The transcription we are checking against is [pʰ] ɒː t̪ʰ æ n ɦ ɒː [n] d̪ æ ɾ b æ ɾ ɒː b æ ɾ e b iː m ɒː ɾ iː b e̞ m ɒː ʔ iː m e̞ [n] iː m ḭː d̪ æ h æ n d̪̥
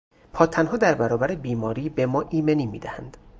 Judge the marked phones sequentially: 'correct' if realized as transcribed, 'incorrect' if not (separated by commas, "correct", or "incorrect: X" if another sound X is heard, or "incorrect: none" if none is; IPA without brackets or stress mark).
correct, incorrect: none, correct